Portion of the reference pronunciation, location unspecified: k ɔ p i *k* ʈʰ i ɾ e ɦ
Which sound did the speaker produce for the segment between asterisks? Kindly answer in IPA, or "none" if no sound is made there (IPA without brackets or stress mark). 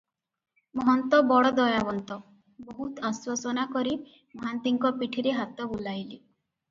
none